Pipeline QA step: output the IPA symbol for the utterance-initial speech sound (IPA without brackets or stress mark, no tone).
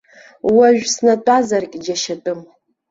w